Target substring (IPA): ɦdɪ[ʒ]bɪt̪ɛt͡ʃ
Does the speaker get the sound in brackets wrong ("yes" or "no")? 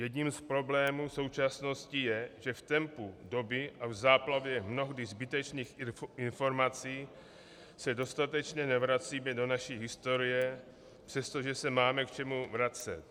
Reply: yes